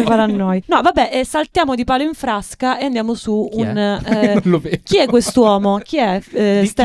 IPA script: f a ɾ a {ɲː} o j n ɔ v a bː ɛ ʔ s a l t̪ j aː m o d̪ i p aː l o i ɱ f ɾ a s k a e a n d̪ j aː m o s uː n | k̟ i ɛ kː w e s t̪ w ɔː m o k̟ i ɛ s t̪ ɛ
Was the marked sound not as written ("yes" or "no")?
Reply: yes